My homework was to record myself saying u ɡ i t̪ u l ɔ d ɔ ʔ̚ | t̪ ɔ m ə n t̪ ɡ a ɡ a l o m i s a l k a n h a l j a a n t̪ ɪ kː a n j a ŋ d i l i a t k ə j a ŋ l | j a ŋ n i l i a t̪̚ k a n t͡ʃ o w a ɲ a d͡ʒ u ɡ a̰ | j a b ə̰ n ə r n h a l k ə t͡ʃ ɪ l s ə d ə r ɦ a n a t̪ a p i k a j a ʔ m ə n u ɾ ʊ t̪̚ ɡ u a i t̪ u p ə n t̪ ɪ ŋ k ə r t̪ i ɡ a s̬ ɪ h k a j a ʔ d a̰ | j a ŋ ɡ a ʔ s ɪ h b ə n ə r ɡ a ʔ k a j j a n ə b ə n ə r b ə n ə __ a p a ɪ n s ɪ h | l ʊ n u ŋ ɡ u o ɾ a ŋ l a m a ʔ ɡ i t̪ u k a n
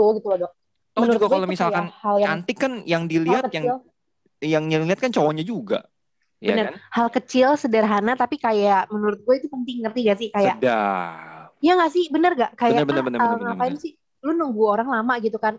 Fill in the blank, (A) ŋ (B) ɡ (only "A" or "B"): A